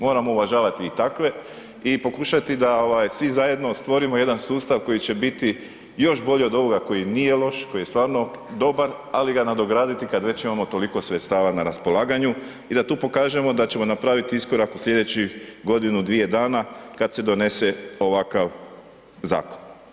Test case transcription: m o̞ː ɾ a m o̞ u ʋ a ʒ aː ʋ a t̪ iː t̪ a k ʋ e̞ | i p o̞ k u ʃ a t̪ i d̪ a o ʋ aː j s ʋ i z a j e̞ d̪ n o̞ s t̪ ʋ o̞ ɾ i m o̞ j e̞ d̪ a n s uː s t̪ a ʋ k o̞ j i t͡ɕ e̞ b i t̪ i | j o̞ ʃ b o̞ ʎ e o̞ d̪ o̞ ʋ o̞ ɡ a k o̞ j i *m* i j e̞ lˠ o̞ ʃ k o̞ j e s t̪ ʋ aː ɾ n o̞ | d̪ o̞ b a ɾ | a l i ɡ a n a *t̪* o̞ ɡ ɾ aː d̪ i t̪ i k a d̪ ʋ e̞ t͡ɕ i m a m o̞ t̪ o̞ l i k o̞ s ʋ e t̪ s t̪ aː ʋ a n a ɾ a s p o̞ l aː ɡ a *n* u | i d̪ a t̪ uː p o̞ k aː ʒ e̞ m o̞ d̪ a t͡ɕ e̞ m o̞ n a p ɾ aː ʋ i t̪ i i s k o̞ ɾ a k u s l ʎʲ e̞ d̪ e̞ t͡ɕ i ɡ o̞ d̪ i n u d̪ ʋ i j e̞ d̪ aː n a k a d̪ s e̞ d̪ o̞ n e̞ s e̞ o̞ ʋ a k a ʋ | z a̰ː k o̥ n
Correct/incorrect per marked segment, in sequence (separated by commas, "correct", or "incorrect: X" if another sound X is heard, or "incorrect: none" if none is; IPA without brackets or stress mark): incorrect: n, incorrect: d̪, incorrect: ɲ